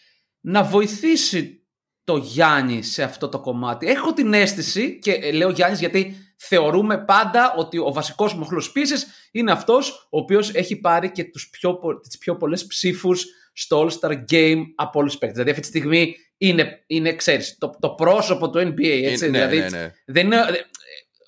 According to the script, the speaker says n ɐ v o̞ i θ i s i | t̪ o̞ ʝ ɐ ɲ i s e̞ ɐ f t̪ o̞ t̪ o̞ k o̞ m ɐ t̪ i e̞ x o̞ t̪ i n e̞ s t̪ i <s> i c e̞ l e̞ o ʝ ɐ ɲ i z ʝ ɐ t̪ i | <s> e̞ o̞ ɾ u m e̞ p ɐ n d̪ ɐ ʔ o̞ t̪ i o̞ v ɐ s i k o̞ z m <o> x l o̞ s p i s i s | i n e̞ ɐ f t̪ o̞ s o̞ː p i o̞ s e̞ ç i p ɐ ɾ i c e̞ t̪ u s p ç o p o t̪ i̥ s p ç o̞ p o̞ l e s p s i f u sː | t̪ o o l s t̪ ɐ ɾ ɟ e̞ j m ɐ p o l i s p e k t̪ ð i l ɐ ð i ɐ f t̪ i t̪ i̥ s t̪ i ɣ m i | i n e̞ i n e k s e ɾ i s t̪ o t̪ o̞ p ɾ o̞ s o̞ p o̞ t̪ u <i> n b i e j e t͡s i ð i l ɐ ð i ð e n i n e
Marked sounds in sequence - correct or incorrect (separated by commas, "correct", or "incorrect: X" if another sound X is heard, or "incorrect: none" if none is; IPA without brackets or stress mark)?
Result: correct, incorrect: θ, correct, incorrect: e